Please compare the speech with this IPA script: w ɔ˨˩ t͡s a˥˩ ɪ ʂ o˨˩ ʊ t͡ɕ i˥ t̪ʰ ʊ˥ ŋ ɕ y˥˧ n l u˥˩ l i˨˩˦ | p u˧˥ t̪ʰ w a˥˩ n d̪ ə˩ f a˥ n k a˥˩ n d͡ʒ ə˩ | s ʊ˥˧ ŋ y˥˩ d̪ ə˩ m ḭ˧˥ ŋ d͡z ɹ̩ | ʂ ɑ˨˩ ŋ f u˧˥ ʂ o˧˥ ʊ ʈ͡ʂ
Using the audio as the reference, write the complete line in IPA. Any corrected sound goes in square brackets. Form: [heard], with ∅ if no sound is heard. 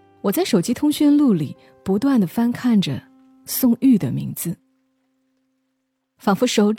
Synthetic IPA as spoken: w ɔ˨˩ t͡s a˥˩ ɪ ʂ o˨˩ ʊ t͡ɕ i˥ t̪ʰ ʊ˥ ŋ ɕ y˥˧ n l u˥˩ l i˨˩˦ | p u˧˥ [t̪] w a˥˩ n d̪ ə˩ f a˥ n [kʰ] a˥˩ n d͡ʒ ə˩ | s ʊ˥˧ ŋ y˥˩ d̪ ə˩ m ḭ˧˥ ŋ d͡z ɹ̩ | [f] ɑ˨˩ ŋ f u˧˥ ʂ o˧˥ ʊ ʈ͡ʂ